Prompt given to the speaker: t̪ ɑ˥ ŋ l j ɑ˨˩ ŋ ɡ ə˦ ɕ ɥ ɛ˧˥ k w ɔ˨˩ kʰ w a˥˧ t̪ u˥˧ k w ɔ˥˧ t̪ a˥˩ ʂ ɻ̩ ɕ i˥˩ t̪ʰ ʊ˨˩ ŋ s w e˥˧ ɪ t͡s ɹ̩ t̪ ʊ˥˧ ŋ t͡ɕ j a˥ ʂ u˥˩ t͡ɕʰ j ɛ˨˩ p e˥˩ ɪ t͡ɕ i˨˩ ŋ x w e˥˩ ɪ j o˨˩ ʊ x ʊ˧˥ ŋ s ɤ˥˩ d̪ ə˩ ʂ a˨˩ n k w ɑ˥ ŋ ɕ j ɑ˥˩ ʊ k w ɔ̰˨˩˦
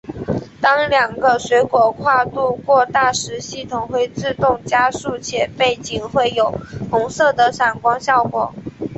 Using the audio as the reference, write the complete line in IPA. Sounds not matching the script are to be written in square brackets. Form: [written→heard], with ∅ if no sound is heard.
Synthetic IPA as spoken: t̪ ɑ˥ ŋ l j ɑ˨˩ ŋ ɡ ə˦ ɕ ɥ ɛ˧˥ k w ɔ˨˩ kʰ w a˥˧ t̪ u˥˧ k w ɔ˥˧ t̪ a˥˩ ʂ ɻ̩ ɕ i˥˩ t̪ʰ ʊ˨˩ ŋ [s→x] w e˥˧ ɪ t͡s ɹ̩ t̪ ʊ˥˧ ŋ t͡ɕ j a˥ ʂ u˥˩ t͡ɕʰ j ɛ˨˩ p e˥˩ ɪ t͡ɕ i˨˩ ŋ x w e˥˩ ɪ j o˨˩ ʊ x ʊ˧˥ ŋ s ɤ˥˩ d̪ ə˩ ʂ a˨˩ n k w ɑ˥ ŋ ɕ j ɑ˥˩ ʊ k w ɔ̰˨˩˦